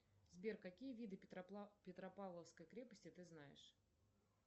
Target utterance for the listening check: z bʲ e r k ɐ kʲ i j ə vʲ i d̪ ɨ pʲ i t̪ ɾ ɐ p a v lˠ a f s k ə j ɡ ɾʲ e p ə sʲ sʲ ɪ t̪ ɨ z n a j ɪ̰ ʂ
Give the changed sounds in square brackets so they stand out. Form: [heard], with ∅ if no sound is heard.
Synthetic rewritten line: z bʲ e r k ɐ kʲ i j ə vʲ i d̪ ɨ pʲ [ɪ] t̪ ɾ ɐ p a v lˠ [ə] f s k ə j [k] ɾʲ e p ə sʲ [tʲ] ɪ t̪ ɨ z n a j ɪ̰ ʂ